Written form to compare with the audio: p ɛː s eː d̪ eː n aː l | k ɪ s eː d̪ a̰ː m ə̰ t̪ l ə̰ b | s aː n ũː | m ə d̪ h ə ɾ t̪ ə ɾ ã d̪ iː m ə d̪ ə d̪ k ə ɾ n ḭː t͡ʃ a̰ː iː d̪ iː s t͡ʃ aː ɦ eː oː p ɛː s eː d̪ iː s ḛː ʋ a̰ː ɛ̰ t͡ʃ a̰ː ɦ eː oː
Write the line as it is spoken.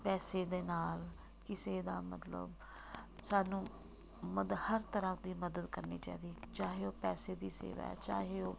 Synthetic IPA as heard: p ɛː s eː d̪ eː n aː l | k ɪ s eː d̪ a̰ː m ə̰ t̪ l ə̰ b | s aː n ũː | m ə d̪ h ə ɾ t̪ ə ɾ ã d̪ iː m ə d̪ ə d̪ k ə ɾ n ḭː t͡ʃ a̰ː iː d̪ iː t͡ʃ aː ɦ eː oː p ɛː s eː d̪ iː s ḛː ʋ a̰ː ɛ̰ t͡ʃ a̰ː ɦ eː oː

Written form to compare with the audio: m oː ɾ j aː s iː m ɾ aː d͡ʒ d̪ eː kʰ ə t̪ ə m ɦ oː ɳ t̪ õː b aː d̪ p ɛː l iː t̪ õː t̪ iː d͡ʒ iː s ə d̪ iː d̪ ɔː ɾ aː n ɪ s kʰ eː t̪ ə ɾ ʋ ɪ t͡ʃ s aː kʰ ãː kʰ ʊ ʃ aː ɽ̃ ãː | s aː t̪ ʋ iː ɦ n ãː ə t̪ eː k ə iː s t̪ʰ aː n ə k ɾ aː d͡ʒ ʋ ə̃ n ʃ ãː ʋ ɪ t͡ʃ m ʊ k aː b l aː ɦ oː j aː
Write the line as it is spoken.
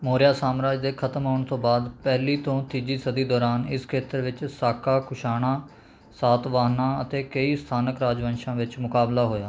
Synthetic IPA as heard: m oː ɾ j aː s aː m ɾ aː d͡ʒ d̪ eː kʰ ə t̪ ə m ɦ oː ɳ t̪ õː b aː d̪ p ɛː l iː t̪ õː t̪ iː d͡ʒ iː s ə d̪ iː d̪ ɔː ɾ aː n ɪ s kʰ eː t̪ ə ɾ ʋ ɪ t͡ʃ s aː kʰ aː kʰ ʊ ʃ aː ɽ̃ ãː | s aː t̪ ʋ aː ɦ n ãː ə t̪ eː k ə iː s t̪ʰ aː n ə k ɾ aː d͡ʒ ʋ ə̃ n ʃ ãː ʋ ɪ t͡ʃ m ʊ k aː b l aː ɦ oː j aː

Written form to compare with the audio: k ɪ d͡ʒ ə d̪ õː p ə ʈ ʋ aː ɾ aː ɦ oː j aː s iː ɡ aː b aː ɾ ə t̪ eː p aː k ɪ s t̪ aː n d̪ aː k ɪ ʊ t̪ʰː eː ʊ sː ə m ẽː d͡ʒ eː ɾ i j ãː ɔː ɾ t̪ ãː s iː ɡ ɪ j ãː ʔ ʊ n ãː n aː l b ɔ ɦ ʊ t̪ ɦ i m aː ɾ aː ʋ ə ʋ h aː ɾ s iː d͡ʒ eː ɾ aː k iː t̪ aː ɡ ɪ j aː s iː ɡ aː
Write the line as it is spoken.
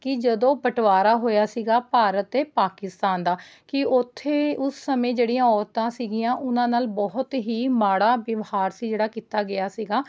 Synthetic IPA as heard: k ɪ d͡ʒ ə d̪ õː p ə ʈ ʋ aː ɾ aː ɦ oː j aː s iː ɡ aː p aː ɾ ə t̪ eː p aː k ɪ s t̪ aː n d̪ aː k ɪ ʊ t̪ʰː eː ʊ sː ə m ẽː d͡ʒ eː ɽ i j ãː ɔː ɾ t̪ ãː s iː ɡ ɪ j ãː ʔ ʊ n ãː n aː l b ɔ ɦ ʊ t̪ ɦ iː m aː ɽ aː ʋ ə ʋ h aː ɾ s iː d͡ʒ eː ɽ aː k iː t̪ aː ɡ ɪ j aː s iː ɡ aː

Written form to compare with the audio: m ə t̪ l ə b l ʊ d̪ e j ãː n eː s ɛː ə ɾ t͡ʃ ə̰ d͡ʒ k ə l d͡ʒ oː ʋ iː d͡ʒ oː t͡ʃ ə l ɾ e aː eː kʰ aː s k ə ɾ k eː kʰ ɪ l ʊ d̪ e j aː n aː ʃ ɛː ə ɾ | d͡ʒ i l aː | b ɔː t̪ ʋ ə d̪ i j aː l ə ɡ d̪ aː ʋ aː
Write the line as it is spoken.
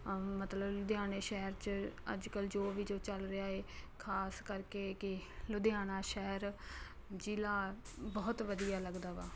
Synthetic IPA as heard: m ə t̪ l ə b l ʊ d̪ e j aː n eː ʃ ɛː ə ɾ t͡ʃ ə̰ d͡ʒ k ə l d͡ʒ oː ʋ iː d͡ʒ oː t͡ʃ ə l ɾ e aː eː kʰ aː s k ə ɾ k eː k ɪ l ʊ d̪ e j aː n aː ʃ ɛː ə ɾ | d͡ʒ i l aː | b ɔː t̪ ʋ ə d̪ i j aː l ə ɡ d̪ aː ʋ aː

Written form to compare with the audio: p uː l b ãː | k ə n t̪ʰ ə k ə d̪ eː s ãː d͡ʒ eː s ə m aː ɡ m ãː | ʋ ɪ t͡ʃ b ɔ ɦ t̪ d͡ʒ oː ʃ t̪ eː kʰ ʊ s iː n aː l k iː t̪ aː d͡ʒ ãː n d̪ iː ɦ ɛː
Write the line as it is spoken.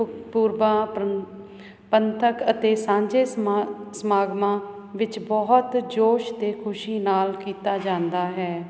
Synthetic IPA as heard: p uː ɾ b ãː | p ə n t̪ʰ ə k ə t̪ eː s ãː d͡ʒ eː s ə m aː ɡ m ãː | ʋ ɪ t͡ʃ b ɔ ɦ t̪ d͡ʒ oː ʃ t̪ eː kʰ ʊ ʃ iː n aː l k iː t̪ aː d͡ʒ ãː n d̪ aː ɦ ɛː

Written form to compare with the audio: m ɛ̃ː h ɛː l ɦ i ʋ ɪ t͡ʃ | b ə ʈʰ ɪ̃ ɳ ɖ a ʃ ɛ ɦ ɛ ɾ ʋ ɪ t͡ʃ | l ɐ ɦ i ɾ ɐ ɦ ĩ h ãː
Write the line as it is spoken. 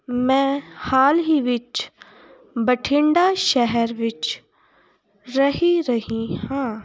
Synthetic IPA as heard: m ɛ̃ː h aː l ɦ i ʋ ɪ t͡ʃ | b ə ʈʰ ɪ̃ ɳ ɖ a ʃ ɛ ɦ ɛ ɾ ʋ ɪ t͡ʃ | ɾ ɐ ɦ i ɾ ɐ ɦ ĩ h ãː

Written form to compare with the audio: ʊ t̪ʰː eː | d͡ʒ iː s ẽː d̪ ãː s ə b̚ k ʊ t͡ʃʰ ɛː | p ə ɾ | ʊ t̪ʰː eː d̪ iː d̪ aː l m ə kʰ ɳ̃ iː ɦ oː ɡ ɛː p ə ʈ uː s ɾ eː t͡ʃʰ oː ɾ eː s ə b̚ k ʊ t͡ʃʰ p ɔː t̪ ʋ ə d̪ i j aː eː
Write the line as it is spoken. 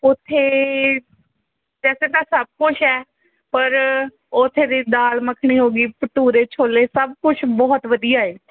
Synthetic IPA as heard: ʊ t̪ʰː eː | d͡ʒ ɛː s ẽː t̪ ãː s ə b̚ k ʊ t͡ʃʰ ɛː | p ə ɾ | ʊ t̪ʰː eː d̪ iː d̪ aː l m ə kʰ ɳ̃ iː ɦ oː ɡ iː p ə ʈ uː ɾ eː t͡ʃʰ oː l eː s ə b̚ k ʊ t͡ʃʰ b ɔː t̪ ʋ ə d̪ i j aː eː

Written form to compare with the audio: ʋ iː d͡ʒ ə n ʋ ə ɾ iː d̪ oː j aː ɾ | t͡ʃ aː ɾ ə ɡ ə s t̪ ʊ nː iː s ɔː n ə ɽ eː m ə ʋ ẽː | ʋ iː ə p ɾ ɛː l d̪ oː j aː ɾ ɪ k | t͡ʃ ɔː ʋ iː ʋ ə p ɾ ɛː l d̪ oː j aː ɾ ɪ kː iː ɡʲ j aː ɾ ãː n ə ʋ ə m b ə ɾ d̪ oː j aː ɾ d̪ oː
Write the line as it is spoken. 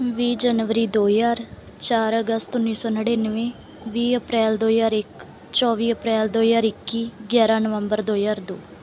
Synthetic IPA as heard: ʋ iː d͡ʒ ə n ʋ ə ɾ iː d̪ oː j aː ɾ | t͡ʃ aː ɾ ə ɡ ə s t̪ ʊ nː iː s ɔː n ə ɽ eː n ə ʋ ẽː | ʋ iː ə p ɾ ɛː l d̪ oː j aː ɾ ɪ k | t͡ʃ ɔː ʋ iː ə p ɾ ɛː l d̪ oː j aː ɾ ɪ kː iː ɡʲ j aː ɾ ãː n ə ʋ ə m b ə ɾ d̪ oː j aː ɾ d̪ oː

